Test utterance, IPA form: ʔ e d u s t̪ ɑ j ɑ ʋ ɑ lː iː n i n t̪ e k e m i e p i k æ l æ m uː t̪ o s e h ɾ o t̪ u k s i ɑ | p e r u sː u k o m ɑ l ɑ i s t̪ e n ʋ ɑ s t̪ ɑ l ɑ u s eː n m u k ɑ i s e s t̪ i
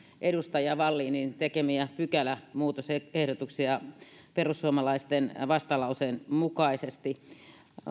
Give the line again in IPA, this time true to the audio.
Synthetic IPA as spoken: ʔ e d u s t̪ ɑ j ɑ ʋ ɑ lː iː n i n t̪ e k e m i æ p y k æ l æ m uː t̪ o s e h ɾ o t̪ u k s i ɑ | p e r u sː u o m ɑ l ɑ i s t̪ e n ʋ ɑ s t̪ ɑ l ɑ u s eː n m u k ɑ i s e s t̪ i